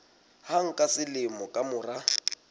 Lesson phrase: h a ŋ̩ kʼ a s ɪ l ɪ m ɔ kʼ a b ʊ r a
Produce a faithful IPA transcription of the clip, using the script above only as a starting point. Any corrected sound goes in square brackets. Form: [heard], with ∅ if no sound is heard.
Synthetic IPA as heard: h a ŋ̩ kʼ a s ɪ l ɪ m ɔ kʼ a [m] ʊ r a